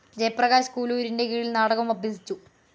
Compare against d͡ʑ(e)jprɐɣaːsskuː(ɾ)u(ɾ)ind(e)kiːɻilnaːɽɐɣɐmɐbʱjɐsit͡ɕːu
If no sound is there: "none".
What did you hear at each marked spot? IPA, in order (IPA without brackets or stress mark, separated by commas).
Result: e, l, ɾ, e